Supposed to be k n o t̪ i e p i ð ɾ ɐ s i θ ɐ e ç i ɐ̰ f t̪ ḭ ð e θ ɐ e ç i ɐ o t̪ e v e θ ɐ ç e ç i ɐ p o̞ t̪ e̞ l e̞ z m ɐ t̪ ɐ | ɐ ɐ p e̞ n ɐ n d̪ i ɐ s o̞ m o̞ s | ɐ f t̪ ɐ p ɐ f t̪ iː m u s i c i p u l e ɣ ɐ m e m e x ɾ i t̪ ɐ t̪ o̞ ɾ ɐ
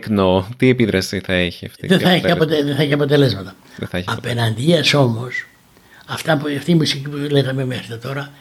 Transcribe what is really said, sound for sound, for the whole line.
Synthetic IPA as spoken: k n o t̪ i e p i ð ɾ ɐ s i θ ɐ e ç i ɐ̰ f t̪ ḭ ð e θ ɐ e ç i ɐ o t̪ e ð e θ ɐ e ç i ɐ p o̞ t̪ e̞ l e̞ z m ɐ t̪ ɐ | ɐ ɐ p e̞ n ɐ n d̪ i ɐ s o̞ m o̞ s | ɐ f t̪ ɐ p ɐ f t̪ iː m u s i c i p u l e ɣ ɐ m e m e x ɾ i t̪ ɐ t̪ o̞ ɾ ɐ